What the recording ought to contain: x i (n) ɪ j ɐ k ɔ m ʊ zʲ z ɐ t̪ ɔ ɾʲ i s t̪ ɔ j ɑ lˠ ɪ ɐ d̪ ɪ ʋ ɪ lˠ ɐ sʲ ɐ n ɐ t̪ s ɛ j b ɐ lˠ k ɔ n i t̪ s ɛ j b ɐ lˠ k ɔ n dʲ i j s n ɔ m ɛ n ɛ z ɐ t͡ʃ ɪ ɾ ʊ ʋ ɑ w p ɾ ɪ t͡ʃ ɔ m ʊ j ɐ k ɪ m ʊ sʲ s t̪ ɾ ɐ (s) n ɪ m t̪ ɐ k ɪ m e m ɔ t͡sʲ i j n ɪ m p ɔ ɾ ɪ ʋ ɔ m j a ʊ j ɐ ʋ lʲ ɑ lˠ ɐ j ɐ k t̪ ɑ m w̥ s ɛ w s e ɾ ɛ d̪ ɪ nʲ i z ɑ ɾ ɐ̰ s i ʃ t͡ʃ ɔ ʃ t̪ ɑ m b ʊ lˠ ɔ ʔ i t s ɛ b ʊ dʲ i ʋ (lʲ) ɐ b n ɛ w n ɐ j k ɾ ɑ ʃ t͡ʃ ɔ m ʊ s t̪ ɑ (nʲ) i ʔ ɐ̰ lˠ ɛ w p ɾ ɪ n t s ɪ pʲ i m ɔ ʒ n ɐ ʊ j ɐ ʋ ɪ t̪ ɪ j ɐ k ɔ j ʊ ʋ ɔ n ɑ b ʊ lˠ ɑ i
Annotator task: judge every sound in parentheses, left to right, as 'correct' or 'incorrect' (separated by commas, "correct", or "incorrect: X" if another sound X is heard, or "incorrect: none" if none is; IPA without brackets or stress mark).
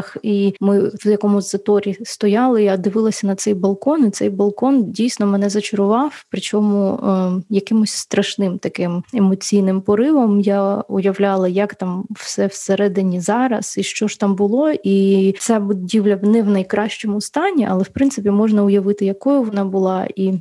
incorrect: m, incorrect: ʃ, correct, correct